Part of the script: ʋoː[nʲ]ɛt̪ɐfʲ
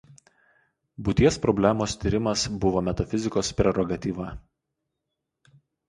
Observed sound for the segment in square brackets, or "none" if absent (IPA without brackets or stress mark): mʲ